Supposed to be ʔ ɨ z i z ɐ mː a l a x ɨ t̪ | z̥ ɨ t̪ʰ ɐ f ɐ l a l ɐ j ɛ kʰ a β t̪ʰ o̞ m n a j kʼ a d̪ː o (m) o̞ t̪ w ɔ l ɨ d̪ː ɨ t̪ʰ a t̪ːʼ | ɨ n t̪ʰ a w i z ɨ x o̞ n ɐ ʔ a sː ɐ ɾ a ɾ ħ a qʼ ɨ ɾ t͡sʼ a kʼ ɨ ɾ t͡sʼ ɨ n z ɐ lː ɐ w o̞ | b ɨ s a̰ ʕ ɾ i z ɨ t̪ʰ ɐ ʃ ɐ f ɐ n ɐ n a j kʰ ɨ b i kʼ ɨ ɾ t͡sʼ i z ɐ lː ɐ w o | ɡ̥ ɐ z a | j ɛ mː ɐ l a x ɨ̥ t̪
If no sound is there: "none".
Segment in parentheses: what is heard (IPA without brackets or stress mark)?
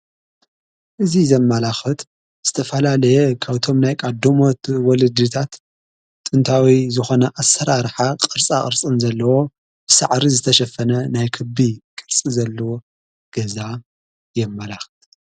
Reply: m